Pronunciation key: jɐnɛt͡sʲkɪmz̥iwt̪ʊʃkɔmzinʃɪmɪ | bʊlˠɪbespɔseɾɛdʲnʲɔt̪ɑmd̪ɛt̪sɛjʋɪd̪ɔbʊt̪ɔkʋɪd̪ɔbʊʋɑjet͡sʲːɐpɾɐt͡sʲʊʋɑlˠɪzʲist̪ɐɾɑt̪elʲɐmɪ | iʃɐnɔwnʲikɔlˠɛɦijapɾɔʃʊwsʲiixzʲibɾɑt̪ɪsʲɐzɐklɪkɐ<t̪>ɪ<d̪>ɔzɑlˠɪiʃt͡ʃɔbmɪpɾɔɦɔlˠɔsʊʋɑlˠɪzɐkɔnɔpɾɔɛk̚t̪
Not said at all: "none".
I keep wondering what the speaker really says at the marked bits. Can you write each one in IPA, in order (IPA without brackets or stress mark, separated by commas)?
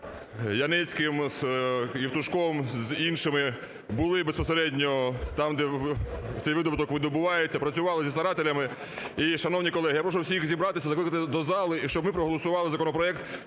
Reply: t̪, d̪